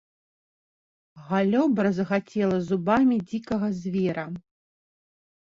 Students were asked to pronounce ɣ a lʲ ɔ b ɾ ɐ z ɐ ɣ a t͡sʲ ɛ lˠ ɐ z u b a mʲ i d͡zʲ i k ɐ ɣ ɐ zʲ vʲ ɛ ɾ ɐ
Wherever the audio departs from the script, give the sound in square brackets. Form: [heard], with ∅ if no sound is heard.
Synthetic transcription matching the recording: ɣ a lʲ ɔ b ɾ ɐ z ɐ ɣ a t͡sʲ ɛ lˠ ɐ z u b a mʲ i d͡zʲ i k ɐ ɣ ɐ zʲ vʲ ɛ ɾ ɐ